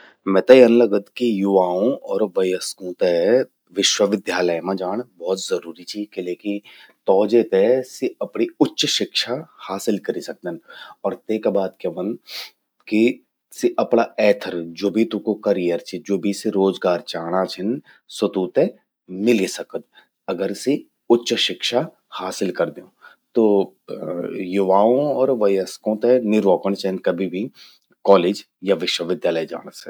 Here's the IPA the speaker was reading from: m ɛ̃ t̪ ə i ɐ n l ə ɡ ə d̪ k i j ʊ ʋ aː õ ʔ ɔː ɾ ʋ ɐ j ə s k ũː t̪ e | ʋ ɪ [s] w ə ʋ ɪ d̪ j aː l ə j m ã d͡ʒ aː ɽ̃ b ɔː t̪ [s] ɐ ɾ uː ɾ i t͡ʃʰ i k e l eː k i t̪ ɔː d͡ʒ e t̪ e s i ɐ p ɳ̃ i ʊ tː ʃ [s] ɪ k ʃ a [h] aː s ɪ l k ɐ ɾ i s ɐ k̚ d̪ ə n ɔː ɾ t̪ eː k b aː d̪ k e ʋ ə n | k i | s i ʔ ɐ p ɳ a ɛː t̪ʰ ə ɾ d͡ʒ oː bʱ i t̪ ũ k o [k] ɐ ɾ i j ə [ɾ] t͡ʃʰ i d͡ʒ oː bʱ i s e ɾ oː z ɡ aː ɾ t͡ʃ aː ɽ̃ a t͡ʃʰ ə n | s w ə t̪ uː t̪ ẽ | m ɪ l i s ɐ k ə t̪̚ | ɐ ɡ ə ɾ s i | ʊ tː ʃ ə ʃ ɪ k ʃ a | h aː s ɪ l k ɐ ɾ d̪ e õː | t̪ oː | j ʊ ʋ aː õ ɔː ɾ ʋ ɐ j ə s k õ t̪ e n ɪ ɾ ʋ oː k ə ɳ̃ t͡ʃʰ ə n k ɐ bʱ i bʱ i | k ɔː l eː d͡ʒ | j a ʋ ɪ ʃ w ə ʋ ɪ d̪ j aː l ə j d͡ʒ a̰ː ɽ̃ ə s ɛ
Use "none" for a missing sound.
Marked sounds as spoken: ʃ, z, ʃ, h, k, ɾ

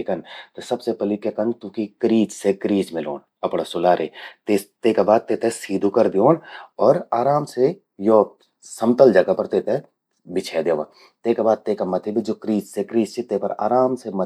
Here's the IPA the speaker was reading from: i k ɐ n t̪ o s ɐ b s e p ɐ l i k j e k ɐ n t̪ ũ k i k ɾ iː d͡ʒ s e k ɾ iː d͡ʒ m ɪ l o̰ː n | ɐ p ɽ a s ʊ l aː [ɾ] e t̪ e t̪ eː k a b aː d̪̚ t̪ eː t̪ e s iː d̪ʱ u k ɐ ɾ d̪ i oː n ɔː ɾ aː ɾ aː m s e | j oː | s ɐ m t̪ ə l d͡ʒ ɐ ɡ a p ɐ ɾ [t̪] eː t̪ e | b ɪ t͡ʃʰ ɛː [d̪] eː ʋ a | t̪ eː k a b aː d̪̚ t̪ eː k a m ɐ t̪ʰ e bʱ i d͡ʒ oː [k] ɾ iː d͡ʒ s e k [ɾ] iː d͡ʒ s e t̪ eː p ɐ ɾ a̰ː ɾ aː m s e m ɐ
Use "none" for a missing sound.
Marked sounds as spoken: ɾ, t̪, d̪, k, ɾ

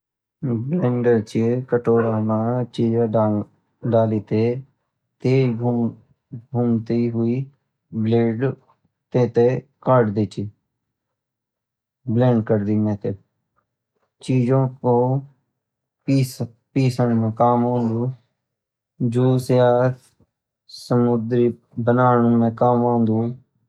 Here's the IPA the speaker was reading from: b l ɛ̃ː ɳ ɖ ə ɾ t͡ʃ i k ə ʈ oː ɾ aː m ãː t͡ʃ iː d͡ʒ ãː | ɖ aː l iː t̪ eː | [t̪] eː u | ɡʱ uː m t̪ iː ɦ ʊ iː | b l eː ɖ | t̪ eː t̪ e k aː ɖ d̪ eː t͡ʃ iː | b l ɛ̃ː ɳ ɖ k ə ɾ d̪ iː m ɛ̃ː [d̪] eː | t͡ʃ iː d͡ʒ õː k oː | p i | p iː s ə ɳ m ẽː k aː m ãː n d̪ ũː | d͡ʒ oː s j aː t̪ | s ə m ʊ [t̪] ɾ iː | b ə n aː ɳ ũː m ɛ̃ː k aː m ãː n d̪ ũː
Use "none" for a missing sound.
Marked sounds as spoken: t̪, t̪, d̪

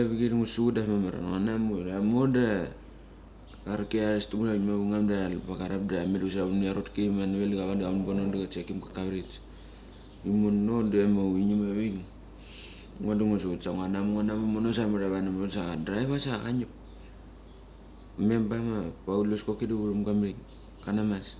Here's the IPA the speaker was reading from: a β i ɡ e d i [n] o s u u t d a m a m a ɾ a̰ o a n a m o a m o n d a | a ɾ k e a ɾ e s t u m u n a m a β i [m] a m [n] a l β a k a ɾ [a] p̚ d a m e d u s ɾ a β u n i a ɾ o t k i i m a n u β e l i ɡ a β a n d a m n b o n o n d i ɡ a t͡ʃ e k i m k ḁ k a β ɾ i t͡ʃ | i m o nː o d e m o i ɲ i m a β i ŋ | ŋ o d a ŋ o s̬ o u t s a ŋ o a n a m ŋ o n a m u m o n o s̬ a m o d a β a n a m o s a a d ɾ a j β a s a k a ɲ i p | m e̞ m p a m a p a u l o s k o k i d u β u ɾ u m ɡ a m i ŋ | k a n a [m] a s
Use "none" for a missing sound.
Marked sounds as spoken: ŋ, ŋ, d, a, m

